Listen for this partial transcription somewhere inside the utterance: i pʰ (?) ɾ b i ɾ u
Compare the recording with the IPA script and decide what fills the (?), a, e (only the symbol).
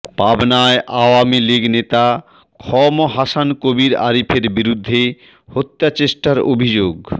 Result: e